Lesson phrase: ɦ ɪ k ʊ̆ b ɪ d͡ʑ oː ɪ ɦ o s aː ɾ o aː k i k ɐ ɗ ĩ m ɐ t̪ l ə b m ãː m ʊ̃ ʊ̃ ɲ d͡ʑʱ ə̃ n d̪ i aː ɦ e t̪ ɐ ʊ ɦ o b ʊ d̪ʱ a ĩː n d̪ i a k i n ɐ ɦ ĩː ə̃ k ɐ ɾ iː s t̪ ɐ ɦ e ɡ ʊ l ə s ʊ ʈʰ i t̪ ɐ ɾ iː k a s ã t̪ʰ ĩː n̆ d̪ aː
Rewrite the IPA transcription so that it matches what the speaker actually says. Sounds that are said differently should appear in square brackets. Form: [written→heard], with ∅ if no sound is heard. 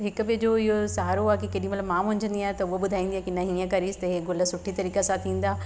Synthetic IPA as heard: ɦ ɪ k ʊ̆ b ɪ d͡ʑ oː ɪ ɦ o s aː ɾ o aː k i k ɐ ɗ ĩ m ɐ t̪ l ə b m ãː m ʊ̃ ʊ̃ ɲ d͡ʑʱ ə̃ n d̪ i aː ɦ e t̪ ɐ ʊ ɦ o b ʊ d̪ʱ a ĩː n d̪ i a k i n ɐ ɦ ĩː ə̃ k ɐ ɾ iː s t̪ ɐ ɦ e ɡ ʊ l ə s ʊ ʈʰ i t̪ ɐ ɾ iː k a s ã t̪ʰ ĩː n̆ d̪ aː